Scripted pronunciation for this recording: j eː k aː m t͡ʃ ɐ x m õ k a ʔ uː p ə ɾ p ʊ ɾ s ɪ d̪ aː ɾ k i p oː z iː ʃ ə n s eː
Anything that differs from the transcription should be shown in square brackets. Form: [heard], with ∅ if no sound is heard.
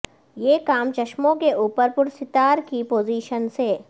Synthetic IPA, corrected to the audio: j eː k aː m t͡ʃ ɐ [ʃ] m õ k [e] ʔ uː p ə ɾ p ʊ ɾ s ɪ [t̪] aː ɾ k i p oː z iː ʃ ə n s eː